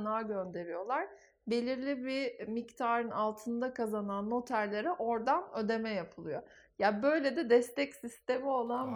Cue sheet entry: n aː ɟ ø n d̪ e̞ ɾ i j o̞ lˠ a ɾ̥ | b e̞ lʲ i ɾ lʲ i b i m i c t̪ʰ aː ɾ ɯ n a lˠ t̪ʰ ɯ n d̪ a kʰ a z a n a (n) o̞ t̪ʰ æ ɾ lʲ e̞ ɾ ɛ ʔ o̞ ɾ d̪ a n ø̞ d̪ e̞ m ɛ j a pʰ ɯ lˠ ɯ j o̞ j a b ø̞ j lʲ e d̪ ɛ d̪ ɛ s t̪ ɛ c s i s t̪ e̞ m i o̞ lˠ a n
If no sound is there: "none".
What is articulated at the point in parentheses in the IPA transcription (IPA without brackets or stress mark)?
nː